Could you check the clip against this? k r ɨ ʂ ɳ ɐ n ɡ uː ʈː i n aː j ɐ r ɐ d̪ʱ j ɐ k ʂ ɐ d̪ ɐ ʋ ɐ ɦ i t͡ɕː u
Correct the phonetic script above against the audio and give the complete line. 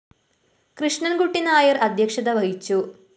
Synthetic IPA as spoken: k r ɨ ʂ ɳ ɐ n ɡ u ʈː i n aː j ɐ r ɐ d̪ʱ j ɐ k ʂ ɐ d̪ ɐ ʋ ɐ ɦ i t͡ɕː u